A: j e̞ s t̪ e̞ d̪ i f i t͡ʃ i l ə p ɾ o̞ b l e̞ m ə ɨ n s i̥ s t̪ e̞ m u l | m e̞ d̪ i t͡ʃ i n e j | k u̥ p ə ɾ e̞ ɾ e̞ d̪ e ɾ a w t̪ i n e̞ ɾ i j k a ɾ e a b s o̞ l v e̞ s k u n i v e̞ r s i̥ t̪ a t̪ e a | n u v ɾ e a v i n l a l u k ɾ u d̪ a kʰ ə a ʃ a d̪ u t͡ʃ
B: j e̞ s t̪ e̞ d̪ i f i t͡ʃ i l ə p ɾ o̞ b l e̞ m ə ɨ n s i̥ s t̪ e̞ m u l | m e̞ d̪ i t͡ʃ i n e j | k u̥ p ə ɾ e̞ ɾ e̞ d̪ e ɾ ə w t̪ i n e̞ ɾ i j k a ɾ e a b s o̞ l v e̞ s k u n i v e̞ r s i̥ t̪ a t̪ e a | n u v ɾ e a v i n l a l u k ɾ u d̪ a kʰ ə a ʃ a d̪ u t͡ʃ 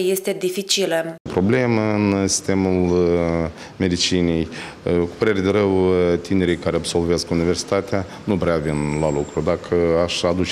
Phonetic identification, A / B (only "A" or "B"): B